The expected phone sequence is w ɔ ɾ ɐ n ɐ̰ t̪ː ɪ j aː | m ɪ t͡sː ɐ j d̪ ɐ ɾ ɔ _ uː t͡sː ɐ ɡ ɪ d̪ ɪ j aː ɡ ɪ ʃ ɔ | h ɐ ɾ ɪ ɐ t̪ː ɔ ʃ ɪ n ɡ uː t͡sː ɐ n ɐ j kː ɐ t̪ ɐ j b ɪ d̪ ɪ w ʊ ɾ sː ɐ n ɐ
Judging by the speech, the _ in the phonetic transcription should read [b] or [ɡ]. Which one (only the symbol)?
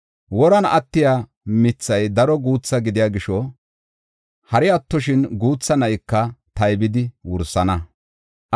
ɡ